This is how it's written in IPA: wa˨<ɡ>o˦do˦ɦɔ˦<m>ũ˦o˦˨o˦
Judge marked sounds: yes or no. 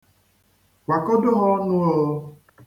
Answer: no, no

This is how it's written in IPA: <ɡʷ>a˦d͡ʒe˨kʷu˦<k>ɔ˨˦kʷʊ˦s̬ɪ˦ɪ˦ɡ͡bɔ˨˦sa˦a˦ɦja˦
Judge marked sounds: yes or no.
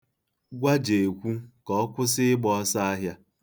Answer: yes, yes

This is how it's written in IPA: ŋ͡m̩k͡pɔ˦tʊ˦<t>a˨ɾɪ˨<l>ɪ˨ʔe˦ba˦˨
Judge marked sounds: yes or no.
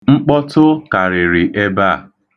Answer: no, no

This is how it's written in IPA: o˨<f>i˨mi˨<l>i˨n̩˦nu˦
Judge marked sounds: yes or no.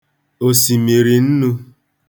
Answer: no, no

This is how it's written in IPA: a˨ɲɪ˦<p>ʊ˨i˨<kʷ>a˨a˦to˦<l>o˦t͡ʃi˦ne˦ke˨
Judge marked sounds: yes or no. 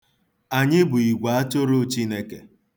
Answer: no, no, no

